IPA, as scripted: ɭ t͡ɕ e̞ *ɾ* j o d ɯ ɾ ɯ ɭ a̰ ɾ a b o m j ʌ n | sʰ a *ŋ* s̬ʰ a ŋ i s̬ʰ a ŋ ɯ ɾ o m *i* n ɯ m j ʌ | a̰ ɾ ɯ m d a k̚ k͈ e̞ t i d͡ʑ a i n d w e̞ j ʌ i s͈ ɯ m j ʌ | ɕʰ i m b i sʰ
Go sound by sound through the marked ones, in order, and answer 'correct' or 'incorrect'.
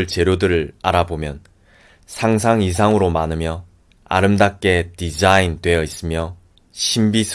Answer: correct, correct, incorrect

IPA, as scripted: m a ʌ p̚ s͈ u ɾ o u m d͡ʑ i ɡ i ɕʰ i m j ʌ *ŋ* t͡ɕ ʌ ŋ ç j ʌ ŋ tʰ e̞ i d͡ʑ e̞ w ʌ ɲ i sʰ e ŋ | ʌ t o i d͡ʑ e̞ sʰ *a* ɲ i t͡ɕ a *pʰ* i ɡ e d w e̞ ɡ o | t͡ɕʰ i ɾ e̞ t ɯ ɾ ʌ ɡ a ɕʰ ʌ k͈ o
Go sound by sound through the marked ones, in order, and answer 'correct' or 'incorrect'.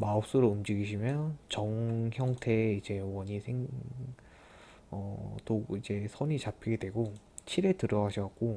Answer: incorrect, incorrect, correct

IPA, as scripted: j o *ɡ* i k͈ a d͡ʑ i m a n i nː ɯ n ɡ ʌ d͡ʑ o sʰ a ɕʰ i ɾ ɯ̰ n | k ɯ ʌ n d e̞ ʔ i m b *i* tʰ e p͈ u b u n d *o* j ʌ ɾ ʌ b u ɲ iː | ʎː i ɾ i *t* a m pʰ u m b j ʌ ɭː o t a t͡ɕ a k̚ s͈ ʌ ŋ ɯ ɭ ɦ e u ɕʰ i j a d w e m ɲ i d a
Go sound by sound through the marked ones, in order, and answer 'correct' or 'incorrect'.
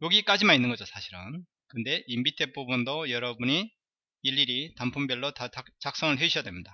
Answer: correct, correct, correct, correct

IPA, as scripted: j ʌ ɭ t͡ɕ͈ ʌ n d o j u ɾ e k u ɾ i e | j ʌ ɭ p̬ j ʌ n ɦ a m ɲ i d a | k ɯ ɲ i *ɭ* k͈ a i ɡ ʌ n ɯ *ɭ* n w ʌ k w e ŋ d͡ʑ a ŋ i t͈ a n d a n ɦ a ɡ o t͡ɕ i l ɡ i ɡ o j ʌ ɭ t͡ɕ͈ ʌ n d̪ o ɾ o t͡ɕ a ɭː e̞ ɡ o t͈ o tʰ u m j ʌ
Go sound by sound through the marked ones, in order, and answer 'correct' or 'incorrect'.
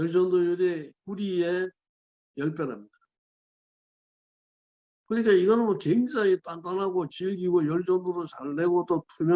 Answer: incorrect, incorrect

